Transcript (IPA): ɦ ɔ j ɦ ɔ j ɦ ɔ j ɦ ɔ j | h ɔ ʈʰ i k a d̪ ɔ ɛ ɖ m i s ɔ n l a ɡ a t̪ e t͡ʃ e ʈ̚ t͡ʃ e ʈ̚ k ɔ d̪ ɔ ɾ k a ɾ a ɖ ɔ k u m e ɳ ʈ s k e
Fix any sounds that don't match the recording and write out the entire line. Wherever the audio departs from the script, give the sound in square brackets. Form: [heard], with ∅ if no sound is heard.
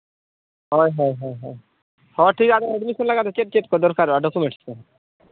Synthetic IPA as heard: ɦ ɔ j ɦ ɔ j ɦ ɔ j ɦ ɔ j | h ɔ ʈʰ i k a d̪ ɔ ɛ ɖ m i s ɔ n l a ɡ a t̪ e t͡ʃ e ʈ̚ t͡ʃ e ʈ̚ k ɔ d̪ ɔ ɾ k a ɾ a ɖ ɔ k u m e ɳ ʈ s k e